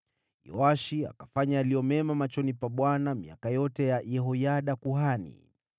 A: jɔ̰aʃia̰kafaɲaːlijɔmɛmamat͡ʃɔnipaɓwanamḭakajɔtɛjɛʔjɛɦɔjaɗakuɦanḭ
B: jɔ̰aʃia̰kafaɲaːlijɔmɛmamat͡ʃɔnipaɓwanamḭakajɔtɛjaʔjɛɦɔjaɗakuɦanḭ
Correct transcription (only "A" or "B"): B